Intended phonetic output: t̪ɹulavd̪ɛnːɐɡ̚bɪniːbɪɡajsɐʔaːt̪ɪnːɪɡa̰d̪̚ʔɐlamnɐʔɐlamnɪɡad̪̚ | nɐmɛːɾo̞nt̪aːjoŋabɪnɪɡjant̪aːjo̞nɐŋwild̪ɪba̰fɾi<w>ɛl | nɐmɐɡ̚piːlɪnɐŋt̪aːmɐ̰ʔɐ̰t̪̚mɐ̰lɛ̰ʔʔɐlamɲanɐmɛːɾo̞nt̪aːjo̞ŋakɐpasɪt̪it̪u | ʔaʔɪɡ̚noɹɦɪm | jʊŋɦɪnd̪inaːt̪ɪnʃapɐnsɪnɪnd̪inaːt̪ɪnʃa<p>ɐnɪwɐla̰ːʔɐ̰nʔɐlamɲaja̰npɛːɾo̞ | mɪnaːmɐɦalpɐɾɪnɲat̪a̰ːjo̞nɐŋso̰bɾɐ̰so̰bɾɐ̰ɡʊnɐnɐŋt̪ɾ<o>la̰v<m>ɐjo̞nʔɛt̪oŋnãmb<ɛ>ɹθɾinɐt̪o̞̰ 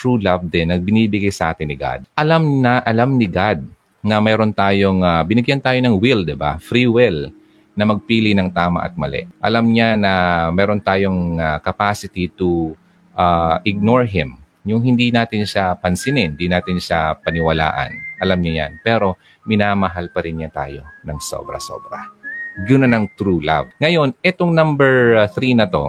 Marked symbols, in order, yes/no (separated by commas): yes, yes, no, no, yes